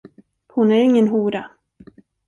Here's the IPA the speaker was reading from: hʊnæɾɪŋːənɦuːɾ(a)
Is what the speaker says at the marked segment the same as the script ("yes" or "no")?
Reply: yes